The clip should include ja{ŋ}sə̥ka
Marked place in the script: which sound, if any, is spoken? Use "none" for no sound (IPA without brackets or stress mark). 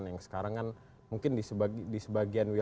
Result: ŋ